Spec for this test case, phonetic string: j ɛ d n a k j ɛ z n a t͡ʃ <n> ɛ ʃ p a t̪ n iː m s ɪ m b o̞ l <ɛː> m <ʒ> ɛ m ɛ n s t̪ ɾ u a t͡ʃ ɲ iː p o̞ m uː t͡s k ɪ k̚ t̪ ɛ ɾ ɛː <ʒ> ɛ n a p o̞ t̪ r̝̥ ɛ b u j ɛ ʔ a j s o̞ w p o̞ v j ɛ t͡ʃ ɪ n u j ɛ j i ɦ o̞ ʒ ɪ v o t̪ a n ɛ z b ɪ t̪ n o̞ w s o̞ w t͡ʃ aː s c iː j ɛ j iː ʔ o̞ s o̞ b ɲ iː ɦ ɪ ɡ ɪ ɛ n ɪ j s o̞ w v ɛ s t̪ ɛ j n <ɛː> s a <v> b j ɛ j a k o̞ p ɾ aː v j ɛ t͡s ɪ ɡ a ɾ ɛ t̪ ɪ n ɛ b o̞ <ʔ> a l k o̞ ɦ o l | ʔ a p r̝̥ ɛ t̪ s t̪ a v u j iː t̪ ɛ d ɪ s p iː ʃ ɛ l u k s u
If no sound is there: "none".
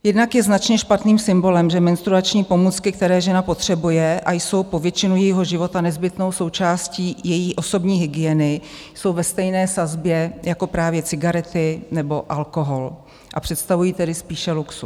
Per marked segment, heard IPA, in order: ɲ, ɛ, ʒ, ʒ, ɛː, z, ʔ

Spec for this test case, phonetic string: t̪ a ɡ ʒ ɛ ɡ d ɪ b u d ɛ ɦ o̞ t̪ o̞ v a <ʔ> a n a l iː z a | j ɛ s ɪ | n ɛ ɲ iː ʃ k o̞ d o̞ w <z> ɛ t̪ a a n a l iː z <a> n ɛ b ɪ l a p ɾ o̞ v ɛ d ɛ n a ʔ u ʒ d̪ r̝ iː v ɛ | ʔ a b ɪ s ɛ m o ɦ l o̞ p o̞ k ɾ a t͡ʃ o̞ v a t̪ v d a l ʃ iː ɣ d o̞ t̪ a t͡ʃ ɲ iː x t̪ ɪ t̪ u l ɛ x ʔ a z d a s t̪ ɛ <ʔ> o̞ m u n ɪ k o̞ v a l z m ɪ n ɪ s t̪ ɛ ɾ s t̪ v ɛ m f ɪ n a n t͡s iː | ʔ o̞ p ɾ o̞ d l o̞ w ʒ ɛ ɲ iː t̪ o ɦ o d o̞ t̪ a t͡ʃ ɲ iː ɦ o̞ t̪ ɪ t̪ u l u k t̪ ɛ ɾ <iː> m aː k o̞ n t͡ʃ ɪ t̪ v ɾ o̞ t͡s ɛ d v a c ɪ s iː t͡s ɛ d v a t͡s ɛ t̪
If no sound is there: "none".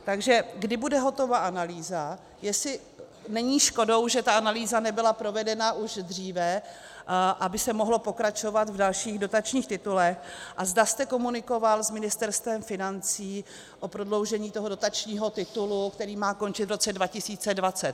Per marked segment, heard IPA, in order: ʔ, ʒ, a, k, iː

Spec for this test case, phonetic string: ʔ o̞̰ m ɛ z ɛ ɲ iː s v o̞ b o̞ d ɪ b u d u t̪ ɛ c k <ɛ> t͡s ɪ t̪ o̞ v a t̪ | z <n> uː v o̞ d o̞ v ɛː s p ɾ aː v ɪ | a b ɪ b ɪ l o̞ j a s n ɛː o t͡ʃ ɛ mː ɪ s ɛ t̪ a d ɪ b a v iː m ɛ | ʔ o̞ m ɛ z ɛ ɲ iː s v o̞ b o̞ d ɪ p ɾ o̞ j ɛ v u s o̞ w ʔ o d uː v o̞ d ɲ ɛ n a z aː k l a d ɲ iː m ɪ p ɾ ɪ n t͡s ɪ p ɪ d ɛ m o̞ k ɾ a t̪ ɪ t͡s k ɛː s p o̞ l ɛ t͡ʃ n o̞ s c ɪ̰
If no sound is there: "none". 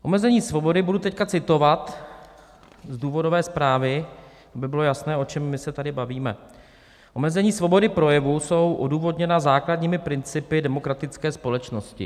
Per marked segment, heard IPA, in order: a, d

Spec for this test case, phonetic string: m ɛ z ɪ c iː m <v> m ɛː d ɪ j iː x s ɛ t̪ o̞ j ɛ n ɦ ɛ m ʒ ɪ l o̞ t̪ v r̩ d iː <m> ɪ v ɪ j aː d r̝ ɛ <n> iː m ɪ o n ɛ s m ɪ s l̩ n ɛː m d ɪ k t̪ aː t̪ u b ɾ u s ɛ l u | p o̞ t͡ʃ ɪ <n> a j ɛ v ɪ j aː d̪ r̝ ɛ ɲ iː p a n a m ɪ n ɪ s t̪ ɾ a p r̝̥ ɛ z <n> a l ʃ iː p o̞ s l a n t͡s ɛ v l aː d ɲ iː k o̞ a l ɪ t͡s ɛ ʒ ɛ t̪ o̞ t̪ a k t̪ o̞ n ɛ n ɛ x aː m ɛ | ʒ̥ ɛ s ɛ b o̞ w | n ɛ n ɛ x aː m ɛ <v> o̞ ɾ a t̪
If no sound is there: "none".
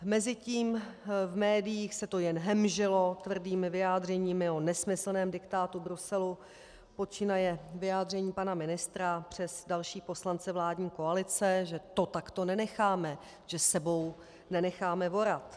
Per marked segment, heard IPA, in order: v, m, ɲ, n, d, v

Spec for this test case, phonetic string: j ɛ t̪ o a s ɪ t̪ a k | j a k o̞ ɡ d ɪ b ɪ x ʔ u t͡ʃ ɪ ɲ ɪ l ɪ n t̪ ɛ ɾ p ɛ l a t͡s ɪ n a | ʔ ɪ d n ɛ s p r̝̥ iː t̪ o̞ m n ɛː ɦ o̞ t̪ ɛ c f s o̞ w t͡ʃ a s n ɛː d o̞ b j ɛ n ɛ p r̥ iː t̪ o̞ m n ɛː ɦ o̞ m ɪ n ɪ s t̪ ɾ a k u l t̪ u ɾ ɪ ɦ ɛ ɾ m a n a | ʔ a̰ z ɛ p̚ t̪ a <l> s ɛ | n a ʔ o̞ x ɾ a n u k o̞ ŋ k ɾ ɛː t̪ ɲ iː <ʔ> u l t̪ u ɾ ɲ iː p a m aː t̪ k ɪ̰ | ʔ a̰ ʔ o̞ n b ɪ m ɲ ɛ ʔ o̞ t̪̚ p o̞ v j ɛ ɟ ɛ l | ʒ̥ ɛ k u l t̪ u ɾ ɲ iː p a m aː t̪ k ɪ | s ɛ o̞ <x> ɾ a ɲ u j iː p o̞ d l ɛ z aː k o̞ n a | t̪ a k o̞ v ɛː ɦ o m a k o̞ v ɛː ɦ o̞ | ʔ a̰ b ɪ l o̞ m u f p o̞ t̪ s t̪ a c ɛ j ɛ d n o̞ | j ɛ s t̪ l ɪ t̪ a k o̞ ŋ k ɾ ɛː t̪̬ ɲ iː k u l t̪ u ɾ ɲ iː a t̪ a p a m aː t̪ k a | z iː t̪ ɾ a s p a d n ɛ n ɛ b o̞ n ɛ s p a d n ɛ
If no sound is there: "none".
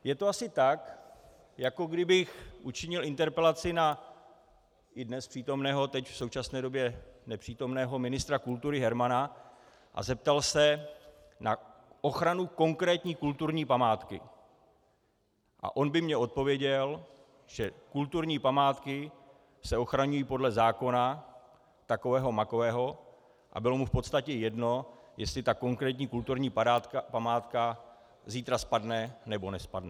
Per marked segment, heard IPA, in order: l, k, x

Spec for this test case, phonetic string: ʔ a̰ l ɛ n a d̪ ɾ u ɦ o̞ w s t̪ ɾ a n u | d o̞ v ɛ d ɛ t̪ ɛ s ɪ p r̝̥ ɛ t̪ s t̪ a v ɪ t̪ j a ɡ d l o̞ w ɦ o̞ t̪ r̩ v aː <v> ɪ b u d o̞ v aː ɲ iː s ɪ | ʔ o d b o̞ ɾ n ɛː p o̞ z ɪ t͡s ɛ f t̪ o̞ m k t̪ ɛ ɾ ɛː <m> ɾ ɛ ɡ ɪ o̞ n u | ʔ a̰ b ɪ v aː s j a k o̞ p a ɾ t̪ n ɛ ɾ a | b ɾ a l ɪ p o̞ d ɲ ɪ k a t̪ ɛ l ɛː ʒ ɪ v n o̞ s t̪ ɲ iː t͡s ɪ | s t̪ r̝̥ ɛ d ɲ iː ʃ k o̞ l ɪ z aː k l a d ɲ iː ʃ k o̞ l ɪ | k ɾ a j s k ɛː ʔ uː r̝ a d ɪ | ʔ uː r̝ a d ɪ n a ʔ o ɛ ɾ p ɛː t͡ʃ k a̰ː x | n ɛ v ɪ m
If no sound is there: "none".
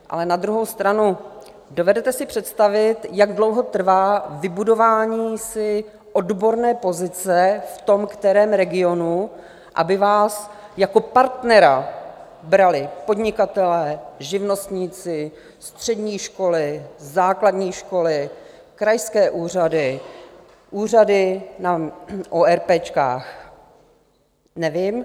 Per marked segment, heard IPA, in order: v, m

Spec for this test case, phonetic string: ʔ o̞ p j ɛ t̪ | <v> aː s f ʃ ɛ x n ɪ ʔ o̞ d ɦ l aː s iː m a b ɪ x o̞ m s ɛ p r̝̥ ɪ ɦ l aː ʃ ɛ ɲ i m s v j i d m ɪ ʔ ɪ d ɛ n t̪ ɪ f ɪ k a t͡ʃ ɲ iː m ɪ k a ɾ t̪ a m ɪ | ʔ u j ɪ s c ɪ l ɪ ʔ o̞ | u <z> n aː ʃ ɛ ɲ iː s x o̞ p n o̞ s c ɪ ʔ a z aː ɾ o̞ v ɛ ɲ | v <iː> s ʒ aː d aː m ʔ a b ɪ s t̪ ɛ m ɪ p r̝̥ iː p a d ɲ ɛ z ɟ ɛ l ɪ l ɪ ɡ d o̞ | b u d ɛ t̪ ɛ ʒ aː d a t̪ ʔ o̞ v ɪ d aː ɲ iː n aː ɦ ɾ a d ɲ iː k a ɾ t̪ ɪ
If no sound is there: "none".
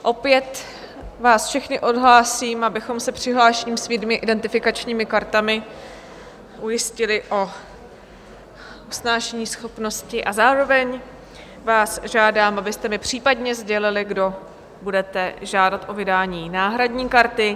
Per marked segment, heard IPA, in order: v, s, aː

